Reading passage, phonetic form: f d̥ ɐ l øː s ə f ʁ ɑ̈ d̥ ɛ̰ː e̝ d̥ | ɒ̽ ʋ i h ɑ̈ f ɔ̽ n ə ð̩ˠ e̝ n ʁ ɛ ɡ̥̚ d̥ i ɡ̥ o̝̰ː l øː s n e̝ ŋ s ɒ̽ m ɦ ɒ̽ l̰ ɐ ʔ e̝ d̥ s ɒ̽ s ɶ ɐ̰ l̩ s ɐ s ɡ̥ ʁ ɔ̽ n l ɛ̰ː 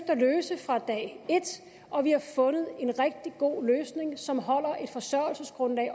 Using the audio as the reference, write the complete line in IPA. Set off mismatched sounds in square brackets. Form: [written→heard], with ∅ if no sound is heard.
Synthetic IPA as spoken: f d̥ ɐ l øː s ə f ʁ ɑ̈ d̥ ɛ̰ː e̝ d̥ | ɒ̽ ʋ i h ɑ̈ f ɔ̽ n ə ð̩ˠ e̝ n ʁ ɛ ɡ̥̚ d̥ i ɡ̥ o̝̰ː l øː s n e̝ ŋ s ɒ̽ m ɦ ɒ̽ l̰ ɐ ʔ e̝ d̥ [s→f] ɒ̽ s ɶ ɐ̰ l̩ s [ɐ→ə] s ɡ̥ ʁ ɔ̽ n l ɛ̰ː